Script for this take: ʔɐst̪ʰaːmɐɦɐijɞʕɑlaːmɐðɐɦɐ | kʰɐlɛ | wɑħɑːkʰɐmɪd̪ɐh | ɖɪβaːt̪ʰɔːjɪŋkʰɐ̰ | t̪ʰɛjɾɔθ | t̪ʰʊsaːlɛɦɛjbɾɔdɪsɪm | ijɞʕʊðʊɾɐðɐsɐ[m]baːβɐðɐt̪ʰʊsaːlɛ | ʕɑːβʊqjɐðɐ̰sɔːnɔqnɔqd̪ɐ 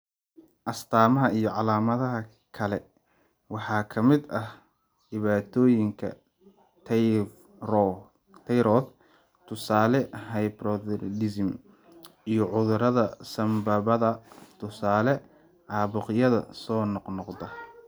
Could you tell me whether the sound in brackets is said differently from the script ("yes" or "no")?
no